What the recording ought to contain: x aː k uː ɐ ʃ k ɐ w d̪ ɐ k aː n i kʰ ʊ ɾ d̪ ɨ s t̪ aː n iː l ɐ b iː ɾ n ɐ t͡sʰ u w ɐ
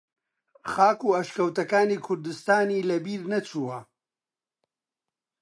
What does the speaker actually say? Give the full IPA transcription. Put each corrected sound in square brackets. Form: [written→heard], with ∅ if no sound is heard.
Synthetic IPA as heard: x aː k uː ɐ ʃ k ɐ w [d̪→t̪] ɐ k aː n i kʰ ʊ ɾ d̪ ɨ s t̪ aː n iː l ɐ b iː ɾ n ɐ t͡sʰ u w ɐ